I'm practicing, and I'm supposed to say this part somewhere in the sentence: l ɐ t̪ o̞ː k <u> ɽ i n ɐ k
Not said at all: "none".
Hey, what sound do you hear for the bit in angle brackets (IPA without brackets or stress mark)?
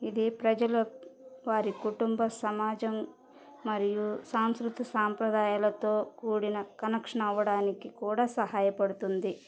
uː